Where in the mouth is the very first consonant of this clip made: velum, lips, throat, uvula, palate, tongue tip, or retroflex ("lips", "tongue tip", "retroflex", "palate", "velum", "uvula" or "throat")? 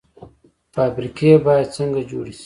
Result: lips